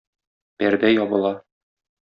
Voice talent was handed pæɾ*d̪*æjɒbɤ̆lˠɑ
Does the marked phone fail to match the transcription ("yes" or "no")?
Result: no